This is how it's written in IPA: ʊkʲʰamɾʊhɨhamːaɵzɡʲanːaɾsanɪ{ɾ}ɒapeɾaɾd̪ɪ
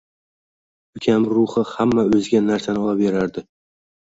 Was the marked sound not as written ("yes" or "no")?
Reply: yes